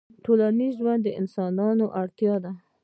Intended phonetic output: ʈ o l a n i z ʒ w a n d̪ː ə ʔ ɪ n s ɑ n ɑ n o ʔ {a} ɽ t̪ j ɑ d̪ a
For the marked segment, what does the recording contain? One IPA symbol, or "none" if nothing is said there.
a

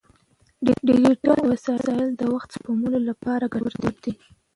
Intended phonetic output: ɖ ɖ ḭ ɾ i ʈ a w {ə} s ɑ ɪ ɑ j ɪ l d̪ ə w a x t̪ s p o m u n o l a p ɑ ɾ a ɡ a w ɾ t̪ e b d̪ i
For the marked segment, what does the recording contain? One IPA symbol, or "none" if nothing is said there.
a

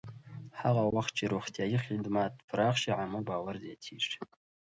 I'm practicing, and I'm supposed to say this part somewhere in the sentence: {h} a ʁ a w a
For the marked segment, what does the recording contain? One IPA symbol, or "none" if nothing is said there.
ħ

